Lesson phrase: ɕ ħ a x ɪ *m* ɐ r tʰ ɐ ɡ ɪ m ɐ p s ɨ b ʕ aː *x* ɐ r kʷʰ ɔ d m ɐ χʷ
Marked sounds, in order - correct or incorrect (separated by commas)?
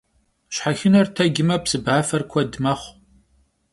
incorrect, incorrect